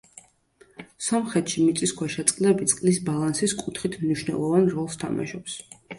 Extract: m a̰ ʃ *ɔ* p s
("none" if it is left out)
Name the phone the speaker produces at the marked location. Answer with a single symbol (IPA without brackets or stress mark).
ɔ